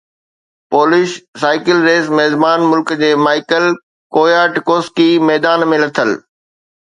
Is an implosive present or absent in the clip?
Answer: absent